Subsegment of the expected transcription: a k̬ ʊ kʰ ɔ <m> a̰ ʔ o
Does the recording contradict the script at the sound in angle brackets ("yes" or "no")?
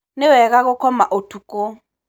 no